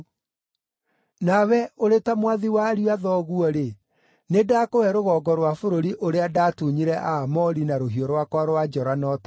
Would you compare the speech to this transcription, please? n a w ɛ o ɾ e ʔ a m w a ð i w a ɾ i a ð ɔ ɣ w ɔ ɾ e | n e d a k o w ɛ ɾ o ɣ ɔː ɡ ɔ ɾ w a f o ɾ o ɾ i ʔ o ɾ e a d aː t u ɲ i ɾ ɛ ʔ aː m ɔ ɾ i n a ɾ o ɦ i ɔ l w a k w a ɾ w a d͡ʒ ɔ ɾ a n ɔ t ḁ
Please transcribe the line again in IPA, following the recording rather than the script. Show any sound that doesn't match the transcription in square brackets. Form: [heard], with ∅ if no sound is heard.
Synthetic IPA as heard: n a w ɛ o ɾ e [t] a m w a ð i w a ɾ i a ð ɔ ɣ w ɔ ɾ e | n e d a k o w ɛ ɾ o ɣ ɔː ɡ ɔ ɾ w a f o ɾ o ɾ i ʔ o ɾ e a d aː t u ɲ i ɾ ɛ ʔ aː m ɔ ɾ i n a ɾ o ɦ i ɔ [ɾ] w a k w a ɾ w a d͡ʒ ɔ ɾ a n ɔ t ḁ